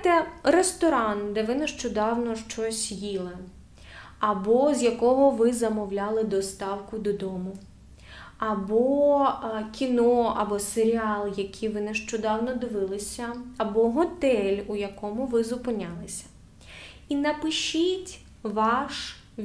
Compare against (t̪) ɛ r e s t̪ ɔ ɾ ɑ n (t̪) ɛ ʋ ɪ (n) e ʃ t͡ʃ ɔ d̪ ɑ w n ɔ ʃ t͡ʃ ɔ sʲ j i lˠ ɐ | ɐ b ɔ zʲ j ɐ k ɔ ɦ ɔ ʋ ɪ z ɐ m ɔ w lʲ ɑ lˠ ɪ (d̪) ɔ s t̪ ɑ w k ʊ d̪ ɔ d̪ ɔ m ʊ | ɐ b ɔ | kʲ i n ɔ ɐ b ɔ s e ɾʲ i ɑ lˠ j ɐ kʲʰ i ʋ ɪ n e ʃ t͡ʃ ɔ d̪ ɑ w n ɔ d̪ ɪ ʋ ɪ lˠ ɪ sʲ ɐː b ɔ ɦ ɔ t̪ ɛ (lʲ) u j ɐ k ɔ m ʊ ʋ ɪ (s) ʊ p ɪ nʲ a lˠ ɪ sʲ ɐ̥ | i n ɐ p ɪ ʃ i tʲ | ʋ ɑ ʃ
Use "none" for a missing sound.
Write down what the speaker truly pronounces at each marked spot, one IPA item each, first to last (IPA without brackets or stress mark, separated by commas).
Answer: t̪, d̪, n, d̪, lʲ, z